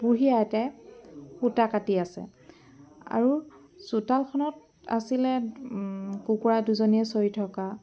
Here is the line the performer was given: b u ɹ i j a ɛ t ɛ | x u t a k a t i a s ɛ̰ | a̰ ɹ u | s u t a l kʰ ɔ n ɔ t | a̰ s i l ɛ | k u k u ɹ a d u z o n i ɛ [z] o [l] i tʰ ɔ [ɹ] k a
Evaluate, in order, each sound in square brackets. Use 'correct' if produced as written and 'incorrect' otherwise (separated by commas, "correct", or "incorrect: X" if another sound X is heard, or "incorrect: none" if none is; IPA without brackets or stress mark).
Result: incorrect: s, incorrect: ɹ, incorrect: none